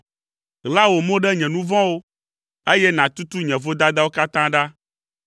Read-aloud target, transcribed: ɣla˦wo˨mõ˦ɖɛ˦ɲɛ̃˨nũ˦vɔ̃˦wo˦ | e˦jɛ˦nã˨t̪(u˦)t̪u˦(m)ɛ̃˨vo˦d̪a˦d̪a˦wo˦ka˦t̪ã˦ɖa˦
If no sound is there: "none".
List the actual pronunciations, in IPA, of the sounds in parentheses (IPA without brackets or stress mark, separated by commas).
u˦, ɲ